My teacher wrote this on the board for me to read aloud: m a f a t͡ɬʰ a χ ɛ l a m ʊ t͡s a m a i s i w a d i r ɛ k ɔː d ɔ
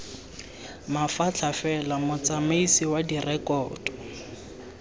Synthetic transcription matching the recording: m a f a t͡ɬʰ a f ɛ l a m ʊ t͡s a m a i s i w a d i r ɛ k ɔː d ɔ